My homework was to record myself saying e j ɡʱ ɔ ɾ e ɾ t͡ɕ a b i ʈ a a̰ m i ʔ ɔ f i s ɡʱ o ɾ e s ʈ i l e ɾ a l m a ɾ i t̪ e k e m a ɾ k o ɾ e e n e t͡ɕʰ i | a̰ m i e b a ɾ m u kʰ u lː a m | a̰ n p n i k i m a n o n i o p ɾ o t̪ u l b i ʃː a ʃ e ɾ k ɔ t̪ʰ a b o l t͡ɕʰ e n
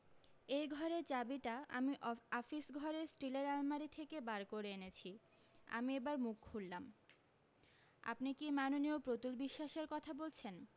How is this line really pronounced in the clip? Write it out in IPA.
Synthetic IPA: e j ɡʱ ɔ ɾ e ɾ t͡ɕ a b i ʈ a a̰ m i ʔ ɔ f i s ɡʱ ɔ ɾ e s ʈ i l e ɾ a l m a ɾ i t̪ʰ e k e b a ɾ k o ɾ e e n e t͡ɕʰ i | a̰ m i e b a ɾ m u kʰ u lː a m | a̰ p n i k i m a n o n i o p ɾ o t̪ u l b i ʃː a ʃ e ɾ k ɔ t̪ʰ a b o l t͡ɕʰ e n

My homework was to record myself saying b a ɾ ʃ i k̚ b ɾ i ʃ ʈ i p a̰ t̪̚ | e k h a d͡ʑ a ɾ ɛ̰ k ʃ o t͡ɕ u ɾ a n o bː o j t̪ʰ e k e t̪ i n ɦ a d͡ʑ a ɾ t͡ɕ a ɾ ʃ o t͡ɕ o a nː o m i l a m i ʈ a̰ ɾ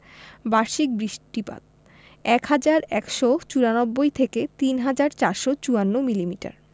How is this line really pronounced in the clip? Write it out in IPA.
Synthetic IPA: b a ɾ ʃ i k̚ b ɾ i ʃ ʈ i p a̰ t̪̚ | ɛ k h a d͡ʑ a ɾ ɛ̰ k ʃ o t͡ɕ u ɾ a n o bː o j t̪ʰ e k e t̪ i n ɦ a d͡ʑ a ɾ t͡ɕ a ɾ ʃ o t͡ɕ u a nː o m i l i m i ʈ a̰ ɾ

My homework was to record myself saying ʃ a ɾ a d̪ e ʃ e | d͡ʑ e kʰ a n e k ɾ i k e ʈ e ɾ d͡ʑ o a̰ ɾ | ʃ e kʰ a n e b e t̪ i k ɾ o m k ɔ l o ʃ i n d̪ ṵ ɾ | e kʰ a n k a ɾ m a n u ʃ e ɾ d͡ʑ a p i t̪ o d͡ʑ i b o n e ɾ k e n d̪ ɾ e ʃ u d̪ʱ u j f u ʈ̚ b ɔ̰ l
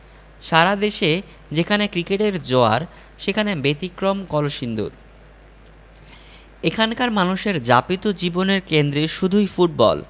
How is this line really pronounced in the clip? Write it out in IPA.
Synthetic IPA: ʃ a ɾ a d̪ e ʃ e | d͡ʑ e kʰ a n e k ɾ i k e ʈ e ɾ d͡ʑ o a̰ ɾ | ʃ e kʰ a n e b e t̪ i k ɾ o m k ɔ l o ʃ i n d̪ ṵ ɾ | e kʰ a n k a ɾ m a n u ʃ e ɾ d͡ʑ a p i t̪ o d͡ʑ i b o n e ɾ k e n d̪ ɾ e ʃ u d̪ʱ u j f u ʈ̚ b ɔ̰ l

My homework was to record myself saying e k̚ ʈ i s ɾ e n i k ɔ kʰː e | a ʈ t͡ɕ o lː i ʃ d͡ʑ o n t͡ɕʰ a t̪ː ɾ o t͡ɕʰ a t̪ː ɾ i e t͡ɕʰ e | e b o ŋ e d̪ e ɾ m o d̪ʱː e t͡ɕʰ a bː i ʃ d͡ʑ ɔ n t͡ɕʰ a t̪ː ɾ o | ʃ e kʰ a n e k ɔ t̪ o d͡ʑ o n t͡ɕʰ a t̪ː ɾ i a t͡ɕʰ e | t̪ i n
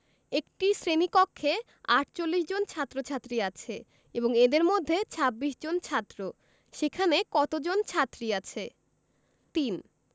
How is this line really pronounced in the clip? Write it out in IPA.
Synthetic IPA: e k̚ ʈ i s ɾ e n i k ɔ kʰː e | a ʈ t͡ɕ o lː i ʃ d͡ʑ o n t͡ɕʰ a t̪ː ɾ o t͡ɕʰ a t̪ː ɾ i a t͡ɕʰ e | e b o ŋ e d̪ e ɾ m o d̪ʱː e t͡ɕʰ a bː i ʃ d͡ʑ o n t͡ɕʰ a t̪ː ɾ o | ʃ e kʰ a n e k ɔ t̪ o d͡ʑ o n t͡ɕʰ a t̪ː ɾ i a t͡ɕʰ e | t̪ i n

